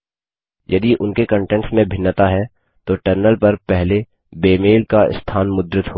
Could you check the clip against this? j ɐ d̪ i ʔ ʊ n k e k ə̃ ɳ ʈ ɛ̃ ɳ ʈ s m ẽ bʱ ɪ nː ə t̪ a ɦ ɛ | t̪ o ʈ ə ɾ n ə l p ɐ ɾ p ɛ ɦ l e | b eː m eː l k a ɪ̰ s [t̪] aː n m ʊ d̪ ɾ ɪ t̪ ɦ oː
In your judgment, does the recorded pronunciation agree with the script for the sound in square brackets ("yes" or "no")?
no